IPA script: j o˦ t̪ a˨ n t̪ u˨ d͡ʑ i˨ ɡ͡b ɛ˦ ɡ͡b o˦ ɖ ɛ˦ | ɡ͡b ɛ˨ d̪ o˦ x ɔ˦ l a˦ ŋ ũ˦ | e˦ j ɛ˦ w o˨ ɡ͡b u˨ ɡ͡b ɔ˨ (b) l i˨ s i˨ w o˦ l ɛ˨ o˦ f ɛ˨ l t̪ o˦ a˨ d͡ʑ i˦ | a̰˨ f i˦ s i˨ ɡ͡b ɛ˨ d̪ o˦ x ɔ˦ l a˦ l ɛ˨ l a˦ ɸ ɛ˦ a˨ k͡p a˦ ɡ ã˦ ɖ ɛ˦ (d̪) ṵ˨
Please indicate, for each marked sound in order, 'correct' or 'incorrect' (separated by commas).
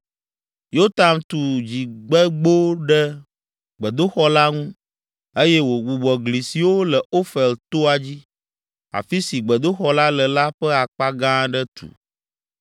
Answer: incorrect, incorrect